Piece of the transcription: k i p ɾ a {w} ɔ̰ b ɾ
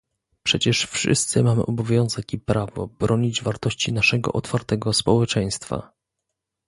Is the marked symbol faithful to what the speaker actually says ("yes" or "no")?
no